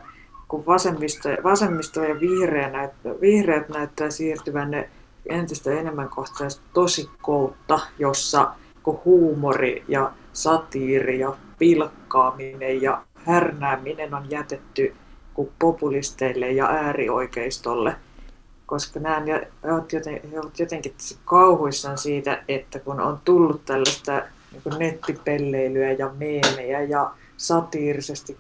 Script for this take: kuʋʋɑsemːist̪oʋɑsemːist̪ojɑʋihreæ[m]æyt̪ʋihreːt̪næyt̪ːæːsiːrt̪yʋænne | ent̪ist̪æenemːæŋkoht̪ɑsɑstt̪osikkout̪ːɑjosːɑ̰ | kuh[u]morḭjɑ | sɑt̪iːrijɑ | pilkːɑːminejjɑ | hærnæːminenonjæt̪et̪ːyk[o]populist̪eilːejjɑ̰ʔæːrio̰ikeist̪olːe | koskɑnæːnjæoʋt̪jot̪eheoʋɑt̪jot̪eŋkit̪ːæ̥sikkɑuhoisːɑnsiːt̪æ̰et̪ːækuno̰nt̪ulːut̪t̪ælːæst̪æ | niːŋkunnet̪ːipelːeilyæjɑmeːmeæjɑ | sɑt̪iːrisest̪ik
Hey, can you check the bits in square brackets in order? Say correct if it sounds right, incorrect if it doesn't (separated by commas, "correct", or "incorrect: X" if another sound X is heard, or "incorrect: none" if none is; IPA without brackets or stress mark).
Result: incorrect: n, incorrect: uː, incorrect: u